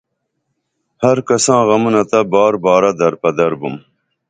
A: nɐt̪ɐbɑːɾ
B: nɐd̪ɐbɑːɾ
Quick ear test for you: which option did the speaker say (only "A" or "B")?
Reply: A